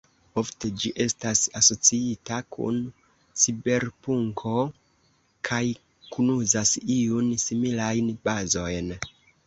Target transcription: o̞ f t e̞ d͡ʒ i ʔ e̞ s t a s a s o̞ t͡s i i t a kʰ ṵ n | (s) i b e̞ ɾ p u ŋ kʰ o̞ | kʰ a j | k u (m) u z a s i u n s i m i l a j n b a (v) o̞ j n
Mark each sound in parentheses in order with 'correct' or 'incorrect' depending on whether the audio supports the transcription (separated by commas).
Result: correct, incorrect, incorrect